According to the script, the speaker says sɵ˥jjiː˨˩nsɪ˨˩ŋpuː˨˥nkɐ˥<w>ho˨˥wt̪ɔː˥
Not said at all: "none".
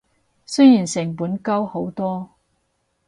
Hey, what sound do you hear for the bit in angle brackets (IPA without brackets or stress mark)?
w